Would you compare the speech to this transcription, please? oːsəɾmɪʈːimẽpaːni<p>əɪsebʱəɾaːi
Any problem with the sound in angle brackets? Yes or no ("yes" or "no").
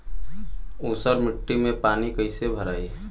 yes